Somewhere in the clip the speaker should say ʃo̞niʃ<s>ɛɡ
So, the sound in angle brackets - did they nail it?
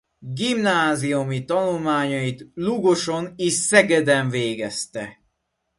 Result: yes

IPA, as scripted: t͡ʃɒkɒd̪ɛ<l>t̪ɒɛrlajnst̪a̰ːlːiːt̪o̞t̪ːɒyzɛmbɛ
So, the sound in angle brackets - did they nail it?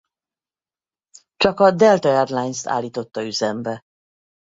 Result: yes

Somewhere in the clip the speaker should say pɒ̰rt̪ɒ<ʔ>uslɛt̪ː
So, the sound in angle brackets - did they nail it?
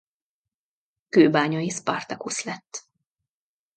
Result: no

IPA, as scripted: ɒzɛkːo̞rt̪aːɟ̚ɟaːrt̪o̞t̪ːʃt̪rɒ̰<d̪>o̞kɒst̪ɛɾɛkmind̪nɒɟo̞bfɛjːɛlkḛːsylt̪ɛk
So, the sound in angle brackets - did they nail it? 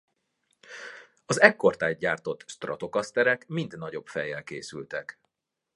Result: no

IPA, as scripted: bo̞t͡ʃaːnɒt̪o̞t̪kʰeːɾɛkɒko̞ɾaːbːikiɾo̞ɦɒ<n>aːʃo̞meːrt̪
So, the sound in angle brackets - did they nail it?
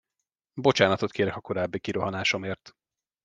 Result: yes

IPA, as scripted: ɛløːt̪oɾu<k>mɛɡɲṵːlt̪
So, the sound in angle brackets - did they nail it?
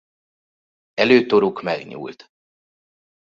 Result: yes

